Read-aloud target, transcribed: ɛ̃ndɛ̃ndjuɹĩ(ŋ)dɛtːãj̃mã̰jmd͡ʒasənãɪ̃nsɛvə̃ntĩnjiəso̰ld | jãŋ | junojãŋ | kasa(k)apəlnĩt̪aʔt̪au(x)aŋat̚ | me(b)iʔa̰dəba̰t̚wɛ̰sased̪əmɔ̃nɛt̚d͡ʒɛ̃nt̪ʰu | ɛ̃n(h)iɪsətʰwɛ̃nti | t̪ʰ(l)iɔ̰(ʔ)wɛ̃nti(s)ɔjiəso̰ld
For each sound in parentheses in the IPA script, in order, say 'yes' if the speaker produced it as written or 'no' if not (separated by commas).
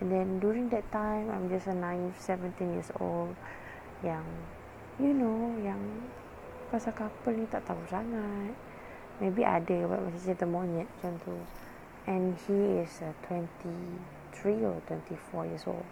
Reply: yes, yes, no, yes, yes, no, no, no